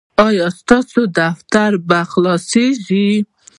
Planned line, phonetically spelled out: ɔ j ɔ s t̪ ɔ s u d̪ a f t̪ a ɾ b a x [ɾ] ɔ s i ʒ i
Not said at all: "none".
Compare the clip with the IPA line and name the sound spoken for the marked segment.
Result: l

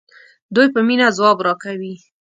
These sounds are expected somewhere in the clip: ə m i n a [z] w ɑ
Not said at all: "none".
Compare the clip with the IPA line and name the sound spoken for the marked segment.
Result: z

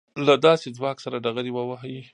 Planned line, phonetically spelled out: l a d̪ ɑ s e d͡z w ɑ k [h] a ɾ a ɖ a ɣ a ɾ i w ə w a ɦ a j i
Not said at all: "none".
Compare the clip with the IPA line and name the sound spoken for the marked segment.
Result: s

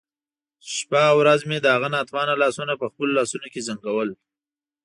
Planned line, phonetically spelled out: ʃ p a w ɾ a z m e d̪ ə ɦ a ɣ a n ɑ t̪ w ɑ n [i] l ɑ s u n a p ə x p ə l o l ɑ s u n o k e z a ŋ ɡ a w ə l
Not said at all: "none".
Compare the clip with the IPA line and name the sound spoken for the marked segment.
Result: a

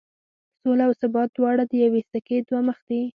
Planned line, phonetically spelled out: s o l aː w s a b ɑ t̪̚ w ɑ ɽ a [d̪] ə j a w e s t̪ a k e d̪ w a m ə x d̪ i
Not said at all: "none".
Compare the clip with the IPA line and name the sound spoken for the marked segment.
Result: d̪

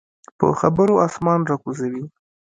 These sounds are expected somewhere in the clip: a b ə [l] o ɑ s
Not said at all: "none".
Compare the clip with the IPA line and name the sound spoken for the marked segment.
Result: ɾ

